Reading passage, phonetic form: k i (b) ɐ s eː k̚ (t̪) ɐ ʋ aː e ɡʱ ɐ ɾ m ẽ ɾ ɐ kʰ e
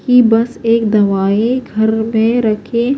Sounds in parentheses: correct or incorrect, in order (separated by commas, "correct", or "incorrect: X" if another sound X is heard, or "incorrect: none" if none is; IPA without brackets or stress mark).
correct, incorrect: d̪